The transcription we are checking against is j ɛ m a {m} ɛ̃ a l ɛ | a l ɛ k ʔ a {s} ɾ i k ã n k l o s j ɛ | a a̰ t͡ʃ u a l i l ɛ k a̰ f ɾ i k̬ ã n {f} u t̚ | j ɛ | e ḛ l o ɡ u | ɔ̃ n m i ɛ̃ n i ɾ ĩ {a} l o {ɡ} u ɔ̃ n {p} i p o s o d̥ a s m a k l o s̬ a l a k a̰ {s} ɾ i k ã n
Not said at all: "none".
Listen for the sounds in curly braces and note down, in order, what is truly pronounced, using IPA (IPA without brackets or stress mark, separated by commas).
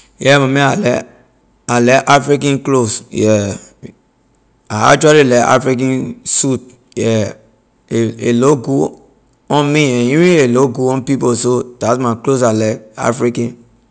m, f, s, e, ɡ, p, f